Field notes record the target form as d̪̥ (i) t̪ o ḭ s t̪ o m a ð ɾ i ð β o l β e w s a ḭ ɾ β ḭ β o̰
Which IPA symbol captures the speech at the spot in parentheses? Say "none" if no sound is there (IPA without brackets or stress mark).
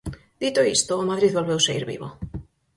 i